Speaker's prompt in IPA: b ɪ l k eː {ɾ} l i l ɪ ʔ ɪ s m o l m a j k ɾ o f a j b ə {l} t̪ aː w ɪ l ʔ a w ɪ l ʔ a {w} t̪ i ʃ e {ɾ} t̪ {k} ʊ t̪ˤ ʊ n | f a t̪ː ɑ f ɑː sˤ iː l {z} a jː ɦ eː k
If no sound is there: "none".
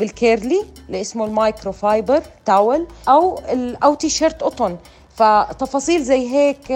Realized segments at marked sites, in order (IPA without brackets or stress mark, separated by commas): ɾ, ɾ, w, ɾ, ʔ, z